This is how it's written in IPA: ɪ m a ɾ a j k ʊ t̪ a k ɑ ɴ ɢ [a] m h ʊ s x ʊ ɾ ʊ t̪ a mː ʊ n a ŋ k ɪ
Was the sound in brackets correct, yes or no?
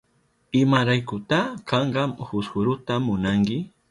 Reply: no